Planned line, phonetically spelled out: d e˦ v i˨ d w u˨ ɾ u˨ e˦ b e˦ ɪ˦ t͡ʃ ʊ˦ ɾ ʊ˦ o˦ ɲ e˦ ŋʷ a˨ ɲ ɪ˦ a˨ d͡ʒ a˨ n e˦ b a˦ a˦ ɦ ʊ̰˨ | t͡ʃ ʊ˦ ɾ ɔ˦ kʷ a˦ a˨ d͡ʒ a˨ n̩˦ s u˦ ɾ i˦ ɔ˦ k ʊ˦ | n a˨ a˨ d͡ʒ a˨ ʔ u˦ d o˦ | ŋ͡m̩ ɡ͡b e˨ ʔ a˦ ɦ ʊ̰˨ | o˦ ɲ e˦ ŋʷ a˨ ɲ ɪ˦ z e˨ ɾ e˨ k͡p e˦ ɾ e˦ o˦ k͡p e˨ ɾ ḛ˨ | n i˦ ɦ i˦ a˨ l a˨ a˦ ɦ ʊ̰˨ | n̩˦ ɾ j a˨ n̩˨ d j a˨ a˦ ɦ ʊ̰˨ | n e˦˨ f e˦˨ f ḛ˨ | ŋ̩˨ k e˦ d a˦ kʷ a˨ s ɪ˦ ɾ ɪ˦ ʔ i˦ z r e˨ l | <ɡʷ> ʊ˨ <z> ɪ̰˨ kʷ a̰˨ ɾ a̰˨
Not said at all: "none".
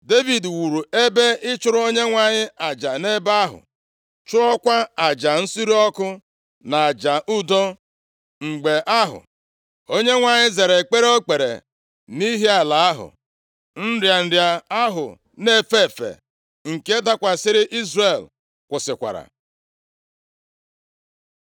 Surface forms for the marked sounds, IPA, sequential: kʷ, s

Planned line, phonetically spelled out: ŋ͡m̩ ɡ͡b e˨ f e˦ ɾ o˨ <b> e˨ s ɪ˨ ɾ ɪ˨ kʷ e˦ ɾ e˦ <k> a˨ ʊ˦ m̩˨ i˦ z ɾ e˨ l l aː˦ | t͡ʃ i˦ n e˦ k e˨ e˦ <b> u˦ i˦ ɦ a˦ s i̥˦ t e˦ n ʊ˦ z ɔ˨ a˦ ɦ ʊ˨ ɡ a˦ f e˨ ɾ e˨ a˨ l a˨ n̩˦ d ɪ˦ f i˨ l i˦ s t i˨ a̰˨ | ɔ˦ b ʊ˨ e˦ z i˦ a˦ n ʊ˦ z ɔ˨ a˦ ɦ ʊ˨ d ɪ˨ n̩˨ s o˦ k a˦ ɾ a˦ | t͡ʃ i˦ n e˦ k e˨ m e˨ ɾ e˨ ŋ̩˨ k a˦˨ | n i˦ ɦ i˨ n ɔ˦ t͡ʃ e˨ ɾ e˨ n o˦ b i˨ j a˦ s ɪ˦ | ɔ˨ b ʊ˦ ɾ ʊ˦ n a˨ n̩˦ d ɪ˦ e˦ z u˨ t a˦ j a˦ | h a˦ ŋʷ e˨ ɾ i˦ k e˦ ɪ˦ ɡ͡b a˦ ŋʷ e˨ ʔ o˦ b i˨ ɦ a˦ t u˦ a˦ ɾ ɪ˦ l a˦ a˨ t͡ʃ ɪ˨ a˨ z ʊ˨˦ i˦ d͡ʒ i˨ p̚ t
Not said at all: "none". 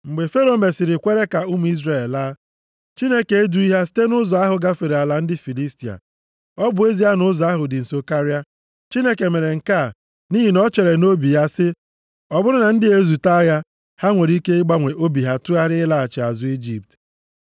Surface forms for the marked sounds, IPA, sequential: m, k, d

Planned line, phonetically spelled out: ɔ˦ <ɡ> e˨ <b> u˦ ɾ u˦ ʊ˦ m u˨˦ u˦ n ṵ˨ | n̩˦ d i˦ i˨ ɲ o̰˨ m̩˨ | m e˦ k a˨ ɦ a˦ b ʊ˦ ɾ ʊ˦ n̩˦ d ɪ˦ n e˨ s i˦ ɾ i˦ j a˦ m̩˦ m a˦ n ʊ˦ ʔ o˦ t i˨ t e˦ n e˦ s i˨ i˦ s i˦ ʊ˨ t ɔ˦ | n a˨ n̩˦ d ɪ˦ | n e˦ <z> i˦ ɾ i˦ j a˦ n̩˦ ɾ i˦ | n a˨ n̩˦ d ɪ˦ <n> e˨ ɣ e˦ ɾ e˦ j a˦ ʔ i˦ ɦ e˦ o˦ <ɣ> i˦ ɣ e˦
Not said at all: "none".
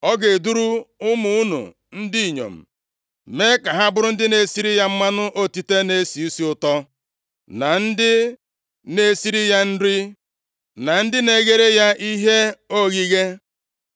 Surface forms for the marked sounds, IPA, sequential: ɡ, d, s, n, ɣ

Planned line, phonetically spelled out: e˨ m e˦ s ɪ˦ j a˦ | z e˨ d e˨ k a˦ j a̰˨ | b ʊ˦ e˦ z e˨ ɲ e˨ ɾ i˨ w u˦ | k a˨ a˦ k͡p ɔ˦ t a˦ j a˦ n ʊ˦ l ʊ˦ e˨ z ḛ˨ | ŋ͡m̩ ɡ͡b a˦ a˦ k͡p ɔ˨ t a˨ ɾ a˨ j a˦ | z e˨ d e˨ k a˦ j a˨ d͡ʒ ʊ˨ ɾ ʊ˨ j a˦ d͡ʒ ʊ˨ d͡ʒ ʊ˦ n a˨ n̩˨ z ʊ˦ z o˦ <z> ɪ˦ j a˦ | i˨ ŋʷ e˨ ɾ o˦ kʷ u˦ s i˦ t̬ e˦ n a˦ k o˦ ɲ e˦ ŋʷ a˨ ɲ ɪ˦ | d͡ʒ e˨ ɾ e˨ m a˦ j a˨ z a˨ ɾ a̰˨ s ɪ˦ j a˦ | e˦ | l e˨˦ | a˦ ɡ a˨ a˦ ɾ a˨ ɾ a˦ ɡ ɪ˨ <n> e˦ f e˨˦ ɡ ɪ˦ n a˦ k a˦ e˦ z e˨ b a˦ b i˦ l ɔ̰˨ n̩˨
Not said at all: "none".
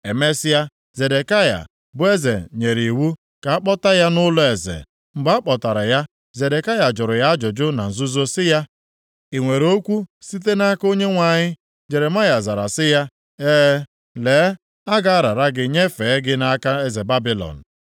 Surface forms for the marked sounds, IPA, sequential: s, ɲ

